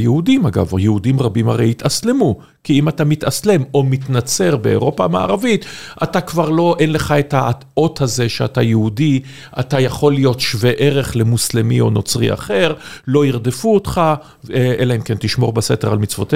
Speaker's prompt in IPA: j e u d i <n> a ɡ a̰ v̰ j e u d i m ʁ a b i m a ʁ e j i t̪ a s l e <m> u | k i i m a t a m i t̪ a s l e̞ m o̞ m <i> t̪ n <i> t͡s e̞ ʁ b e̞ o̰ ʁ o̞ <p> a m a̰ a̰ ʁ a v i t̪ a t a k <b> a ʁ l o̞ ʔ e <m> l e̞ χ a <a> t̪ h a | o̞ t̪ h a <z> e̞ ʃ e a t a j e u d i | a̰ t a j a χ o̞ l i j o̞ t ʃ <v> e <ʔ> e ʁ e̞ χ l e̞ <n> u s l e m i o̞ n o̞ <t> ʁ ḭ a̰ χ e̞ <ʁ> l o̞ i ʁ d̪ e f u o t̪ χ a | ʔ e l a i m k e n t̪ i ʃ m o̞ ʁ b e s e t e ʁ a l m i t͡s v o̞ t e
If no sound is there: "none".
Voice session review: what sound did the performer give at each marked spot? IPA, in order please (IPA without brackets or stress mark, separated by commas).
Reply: m, m, i, a, p, v, n, e, z, v, ʔ, m, t͡s, ʁ